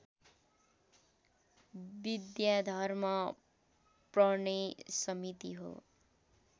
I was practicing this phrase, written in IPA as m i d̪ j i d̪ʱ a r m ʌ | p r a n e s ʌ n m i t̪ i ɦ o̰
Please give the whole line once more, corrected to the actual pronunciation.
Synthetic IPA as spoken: b i d̪ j a d̪ʱ ʌ r m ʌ | p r ʌ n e s ʌ m i t̪ i ɦ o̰

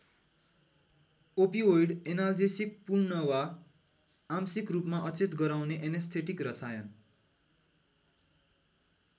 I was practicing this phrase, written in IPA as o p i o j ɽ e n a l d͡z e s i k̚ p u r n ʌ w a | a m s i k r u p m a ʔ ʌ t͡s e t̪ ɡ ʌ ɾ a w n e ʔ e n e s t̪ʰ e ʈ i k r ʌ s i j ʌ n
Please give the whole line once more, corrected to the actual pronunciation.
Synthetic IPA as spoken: o p i o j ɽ e n a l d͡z e s i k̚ p u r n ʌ w a | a m s i k r u p m a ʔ ʌ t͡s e t̪ ɡ ʌ ɾ a w n e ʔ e n e s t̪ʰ e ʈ i k r ʌ s a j ʌ n

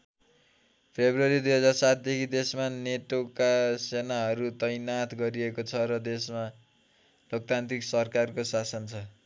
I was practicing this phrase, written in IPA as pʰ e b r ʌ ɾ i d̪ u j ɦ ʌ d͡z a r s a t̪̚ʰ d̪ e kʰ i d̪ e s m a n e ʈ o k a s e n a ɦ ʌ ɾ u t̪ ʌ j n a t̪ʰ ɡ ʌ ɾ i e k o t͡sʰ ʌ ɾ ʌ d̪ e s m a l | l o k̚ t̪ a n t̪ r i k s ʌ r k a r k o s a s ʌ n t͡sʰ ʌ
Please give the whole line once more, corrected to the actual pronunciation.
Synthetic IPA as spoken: pʰ e b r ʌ ɾ i d̪ u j ɦ ʌ d͡z a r s a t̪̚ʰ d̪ e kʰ i d̪ e s m a n e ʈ o k a s e n a ɦ ʌ ɾ u t̪ ʌ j n a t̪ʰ ɡ ʌ ɾ i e k o t͡sʰ ʌ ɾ ʌ d̪ e s m a | l o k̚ t̪ a n t̪ r i k s ʌ r k a r k o s a s ʌ n t͡sʰ ʌ

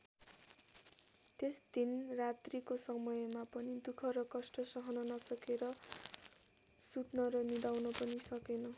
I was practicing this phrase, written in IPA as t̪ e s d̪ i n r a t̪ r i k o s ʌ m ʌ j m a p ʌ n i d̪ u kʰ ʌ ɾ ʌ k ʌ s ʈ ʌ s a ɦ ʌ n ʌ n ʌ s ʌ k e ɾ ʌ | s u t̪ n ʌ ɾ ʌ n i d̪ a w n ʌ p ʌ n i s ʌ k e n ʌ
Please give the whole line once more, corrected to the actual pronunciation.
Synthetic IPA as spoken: t̪ e s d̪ i n r a t̪ r i k o s ʌ m ʌ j m a p ʌ n i d̪ u kʰ ʌ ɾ ʌ k ʌ s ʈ ʌ s ʌ ɦ ʌ n ʌ n ʌ s ʌ k e ɾ ʌ | s u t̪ n ʌ ɾ ʌ n i d̪ a w n ʌ p ʌ n i s ʌ k e n ʌ

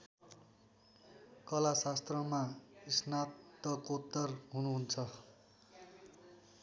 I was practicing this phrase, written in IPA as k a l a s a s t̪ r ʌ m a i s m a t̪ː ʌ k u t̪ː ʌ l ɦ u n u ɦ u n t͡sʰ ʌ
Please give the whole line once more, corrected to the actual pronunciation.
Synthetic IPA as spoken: k ʌ l a s a s t̪ r ʌ m a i s n a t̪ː ʌ k o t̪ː ʌ r ɦ u n u ɦ u n t͡sʰ ʌ

